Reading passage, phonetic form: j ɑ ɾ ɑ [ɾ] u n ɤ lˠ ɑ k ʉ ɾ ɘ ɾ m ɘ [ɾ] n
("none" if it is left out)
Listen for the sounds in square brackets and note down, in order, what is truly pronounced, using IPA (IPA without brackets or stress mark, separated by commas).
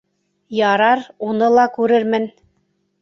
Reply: ɾ, none